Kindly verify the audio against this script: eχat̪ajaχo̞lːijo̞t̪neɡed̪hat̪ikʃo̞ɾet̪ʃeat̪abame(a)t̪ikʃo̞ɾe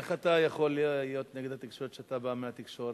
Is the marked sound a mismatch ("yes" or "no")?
no